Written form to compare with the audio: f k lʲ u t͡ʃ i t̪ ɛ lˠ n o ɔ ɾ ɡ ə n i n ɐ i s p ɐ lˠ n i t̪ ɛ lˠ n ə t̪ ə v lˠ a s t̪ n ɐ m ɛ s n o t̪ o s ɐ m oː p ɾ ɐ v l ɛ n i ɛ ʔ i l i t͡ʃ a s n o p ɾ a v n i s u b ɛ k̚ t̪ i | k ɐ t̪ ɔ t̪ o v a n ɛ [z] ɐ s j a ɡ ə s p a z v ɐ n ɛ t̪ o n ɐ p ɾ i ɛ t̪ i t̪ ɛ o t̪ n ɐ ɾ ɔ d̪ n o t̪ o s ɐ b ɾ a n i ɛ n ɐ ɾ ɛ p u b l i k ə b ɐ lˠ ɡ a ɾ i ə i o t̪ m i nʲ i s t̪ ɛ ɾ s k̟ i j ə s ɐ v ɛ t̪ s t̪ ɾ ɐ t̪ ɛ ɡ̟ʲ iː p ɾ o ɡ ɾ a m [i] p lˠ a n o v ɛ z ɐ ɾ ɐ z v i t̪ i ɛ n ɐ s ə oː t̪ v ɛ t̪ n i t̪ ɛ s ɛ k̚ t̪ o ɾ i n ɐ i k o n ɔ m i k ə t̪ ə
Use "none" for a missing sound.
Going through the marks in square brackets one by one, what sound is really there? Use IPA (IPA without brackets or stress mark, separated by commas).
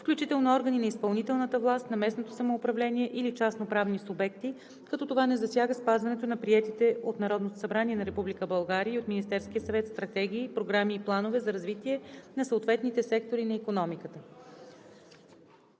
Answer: z, iː